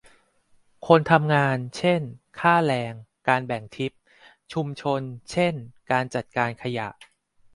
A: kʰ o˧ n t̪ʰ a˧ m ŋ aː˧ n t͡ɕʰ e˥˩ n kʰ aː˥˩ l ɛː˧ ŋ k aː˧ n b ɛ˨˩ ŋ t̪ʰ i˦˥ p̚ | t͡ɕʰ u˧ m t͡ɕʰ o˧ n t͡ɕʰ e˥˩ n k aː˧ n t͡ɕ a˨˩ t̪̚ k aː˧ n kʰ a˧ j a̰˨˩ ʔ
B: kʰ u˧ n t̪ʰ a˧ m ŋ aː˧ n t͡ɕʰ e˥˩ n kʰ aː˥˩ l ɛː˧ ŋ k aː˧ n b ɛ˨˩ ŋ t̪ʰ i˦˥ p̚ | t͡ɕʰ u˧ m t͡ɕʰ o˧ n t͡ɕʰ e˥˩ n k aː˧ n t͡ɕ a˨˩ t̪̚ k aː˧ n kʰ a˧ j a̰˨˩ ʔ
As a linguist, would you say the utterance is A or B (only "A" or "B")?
A